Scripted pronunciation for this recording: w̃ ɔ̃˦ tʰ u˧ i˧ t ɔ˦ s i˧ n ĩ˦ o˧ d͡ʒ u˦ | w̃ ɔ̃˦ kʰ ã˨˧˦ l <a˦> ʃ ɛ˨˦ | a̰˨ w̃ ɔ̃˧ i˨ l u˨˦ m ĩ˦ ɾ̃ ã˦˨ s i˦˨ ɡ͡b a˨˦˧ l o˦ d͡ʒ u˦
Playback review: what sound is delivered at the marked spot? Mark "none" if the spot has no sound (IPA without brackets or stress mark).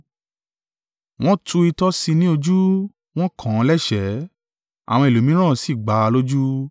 ɛ˦